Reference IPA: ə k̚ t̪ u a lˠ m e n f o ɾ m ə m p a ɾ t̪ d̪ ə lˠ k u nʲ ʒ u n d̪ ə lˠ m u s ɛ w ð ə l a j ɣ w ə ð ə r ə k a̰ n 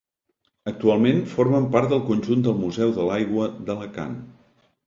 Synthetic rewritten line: ə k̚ t̪ u a lˠ m e n f o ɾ m ə m p a ɾ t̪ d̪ ə lˠ k u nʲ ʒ u n d̪ ə lˠ m u z ɛ w ð ə l a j ɣ w ə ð ə l ə k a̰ n